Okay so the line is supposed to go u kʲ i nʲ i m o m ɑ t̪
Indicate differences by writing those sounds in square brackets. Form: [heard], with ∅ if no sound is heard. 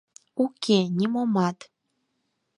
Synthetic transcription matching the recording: u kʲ [e] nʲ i m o m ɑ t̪

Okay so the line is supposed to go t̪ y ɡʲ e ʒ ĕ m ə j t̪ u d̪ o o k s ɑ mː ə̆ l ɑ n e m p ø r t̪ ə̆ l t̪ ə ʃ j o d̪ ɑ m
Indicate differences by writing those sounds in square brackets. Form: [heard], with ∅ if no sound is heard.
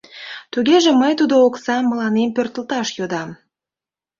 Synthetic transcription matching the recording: t̪ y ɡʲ e ʒ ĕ m ə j t̪ u d̪ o o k s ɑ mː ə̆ l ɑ n e m p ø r t̪ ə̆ l t̪ [ɑ] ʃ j o d̪ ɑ m

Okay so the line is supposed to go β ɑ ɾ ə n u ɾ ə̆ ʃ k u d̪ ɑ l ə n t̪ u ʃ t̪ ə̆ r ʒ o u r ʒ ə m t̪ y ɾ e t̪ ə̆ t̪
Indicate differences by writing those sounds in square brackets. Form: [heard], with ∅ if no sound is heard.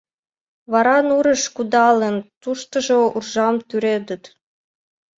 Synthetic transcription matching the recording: β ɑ ɾ [ɑ] n u ɾ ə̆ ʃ k u d̪ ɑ l ə n t̪ u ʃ t̪ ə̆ [∅] ʒ o u r ʒ [ɑ] m t̪ y ɾ e [d̪] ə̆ t̪

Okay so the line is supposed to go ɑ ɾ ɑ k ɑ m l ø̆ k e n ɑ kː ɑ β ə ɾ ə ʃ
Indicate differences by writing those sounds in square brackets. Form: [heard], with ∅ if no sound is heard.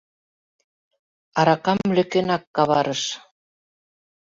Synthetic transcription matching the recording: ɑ ɾ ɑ k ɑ m l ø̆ k e n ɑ kː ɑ β [ɑ] ɾ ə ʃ

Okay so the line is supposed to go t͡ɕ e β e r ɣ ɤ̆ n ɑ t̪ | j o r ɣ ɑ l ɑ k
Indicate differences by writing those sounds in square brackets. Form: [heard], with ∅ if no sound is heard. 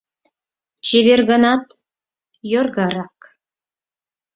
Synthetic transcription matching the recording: t͡ɕ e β e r ɣ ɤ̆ n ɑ t̪ | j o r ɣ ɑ [ɾ] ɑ k

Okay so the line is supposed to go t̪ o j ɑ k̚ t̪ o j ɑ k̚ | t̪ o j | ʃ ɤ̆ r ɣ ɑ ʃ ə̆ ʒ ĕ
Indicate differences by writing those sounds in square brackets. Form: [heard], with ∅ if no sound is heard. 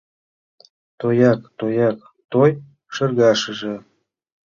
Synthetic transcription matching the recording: t̪ o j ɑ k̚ t̪ o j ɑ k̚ | t̪ o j | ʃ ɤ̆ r ɣ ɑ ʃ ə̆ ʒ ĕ

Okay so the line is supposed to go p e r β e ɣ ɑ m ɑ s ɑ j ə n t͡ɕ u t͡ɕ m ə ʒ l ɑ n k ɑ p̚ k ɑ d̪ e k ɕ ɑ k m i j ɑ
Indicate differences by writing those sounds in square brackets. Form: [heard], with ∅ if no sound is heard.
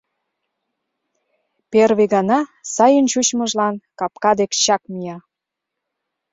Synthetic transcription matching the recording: p e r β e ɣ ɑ [n] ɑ s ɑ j ə n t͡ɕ u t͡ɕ m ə ʒ l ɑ n k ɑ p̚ k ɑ d̪ e k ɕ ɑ k m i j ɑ

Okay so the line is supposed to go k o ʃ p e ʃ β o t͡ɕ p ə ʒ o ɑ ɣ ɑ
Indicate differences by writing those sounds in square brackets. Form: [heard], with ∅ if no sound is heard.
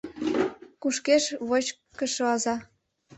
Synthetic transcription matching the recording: k [u] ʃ [k] e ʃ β o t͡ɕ [k] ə [ʃ] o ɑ [z] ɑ

